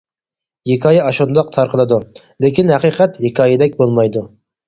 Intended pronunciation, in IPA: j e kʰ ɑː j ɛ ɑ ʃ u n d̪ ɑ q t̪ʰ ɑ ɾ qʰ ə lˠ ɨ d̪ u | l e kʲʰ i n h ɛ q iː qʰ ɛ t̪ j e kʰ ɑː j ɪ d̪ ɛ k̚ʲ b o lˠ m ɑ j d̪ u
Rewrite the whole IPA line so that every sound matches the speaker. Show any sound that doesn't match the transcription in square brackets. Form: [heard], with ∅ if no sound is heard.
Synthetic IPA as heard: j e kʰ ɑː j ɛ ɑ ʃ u n d̪ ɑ q t̪ʰ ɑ ɾ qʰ ə lˠ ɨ d̪ u | l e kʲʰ i n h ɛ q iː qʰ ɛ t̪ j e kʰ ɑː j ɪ d̪ ɛ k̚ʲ b o lˠ m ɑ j d̪ u